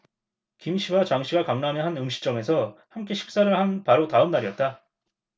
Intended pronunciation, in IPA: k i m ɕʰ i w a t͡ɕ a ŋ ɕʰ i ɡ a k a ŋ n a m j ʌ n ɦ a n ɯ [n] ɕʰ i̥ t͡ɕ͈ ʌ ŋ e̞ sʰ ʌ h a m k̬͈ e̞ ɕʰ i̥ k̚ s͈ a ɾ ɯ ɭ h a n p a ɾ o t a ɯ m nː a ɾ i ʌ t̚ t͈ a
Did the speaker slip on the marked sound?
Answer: yes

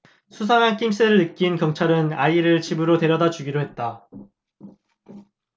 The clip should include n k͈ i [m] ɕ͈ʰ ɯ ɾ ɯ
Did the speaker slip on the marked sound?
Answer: no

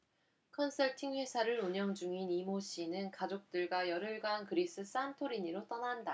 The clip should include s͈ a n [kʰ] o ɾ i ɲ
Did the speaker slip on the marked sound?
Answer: yes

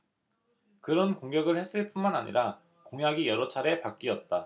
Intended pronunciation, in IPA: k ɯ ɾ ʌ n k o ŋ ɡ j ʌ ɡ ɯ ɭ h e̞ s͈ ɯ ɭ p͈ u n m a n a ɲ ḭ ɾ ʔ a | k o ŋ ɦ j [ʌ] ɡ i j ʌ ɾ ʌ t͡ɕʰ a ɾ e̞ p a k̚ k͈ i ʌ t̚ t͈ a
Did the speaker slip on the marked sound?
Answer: yes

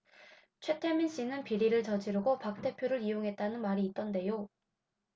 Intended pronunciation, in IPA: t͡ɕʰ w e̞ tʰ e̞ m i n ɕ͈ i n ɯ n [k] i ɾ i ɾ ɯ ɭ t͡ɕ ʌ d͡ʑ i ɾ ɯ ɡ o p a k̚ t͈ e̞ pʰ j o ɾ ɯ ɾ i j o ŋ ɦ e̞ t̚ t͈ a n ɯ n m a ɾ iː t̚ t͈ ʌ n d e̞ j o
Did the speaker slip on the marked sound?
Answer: yes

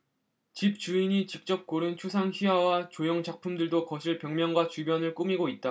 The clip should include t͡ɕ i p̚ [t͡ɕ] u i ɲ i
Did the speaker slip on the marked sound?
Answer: no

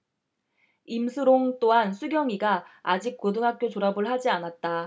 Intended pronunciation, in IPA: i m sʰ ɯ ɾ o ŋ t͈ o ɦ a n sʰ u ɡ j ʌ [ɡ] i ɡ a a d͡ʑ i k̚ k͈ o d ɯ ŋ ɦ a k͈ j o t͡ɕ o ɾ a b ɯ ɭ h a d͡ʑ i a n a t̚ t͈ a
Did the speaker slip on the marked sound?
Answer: yes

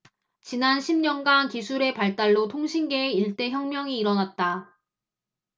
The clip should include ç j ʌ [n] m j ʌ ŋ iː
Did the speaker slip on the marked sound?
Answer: yes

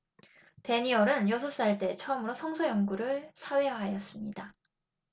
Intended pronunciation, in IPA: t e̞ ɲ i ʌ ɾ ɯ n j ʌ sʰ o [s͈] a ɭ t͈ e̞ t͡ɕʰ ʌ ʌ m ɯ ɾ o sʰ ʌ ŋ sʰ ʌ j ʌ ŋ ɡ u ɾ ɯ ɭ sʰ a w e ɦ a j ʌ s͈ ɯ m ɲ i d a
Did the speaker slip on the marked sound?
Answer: no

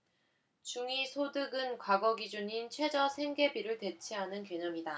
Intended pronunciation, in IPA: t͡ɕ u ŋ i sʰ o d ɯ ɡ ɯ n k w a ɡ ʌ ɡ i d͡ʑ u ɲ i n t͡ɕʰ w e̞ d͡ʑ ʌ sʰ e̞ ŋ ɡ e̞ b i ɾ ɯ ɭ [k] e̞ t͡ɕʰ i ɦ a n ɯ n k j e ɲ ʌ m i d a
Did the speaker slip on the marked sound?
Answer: yes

